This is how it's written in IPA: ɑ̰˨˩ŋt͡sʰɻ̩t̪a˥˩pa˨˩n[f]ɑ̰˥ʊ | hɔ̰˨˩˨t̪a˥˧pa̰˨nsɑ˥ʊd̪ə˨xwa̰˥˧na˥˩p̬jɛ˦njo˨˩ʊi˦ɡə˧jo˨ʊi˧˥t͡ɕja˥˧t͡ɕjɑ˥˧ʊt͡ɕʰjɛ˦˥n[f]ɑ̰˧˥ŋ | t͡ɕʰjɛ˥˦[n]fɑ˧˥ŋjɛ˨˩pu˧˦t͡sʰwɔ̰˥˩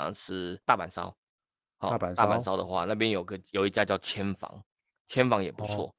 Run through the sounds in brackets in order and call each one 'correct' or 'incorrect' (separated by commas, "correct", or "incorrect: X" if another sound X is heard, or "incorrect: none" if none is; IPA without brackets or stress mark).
incorrect: s, correct, correct